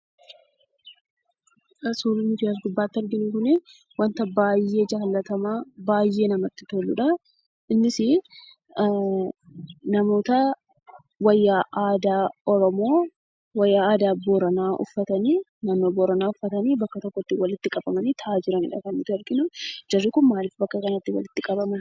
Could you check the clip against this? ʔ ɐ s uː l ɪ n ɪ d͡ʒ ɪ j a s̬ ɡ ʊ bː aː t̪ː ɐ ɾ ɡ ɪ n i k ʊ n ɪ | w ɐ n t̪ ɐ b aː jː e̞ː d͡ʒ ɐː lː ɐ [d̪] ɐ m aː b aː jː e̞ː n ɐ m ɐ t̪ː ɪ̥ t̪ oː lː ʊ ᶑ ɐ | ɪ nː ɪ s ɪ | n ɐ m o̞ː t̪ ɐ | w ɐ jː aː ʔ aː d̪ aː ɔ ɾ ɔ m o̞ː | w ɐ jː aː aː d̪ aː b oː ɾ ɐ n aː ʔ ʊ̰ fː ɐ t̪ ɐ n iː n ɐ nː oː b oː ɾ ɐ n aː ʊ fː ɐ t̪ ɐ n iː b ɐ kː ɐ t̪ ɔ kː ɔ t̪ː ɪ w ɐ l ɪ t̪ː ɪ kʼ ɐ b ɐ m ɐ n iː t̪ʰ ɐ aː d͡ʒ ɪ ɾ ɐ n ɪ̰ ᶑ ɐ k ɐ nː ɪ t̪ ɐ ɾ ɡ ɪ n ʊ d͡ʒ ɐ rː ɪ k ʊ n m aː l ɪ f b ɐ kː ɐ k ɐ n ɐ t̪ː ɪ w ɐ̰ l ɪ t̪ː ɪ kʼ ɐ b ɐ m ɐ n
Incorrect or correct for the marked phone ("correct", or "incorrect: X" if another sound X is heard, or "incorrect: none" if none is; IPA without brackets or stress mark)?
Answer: incorrect: t̪